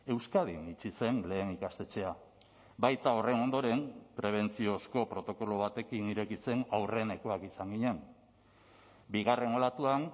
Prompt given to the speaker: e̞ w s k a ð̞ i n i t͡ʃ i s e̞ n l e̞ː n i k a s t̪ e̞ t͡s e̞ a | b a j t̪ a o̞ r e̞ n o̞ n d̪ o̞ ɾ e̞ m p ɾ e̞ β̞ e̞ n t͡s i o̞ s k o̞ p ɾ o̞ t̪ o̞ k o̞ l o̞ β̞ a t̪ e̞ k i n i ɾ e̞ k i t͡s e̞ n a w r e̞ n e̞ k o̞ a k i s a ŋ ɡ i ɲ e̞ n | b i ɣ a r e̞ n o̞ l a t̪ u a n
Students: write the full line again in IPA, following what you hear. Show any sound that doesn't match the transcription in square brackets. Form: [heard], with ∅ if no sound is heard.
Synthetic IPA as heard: e̞ w s k a ð̞ i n i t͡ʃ i s e̞ n l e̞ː n i k a s t̪ e̞ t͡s e̞ a | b a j t̪ a o̞ r e̞ n o̞ n d̪ o̞ ɾ e̞ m p ɾ e̞ β̞ e̞ n t͡s i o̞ s k o̞ p ɾ o̞ t̪ o̞ k o̞ l o̞ β̞ a t̪ e̞ k i n i ɾ e̞ k i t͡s e̞ n a w r e̞ n e̞ k o̞ a k i s a ŋ ɡ i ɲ e̞ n | b i ɣ a r e̞ n o̞ l a t̪ u a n